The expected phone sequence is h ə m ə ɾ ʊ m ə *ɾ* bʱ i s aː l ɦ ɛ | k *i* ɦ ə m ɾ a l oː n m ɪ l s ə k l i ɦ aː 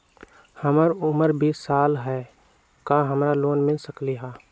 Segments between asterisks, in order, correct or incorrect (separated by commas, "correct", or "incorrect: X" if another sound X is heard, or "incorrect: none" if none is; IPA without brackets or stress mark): correct, incorrect: a